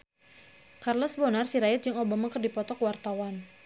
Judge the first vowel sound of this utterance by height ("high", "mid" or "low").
low